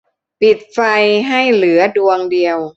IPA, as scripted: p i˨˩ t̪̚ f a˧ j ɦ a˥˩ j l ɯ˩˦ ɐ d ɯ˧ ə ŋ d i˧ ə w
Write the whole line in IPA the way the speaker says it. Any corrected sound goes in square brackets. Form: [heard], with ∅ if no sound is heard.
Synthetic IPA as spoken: p i˨˩ t̪̚ f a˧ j ɦ a˥˩ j l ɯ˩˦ ɐ d [u˧] ə ŋ d i˧ ə w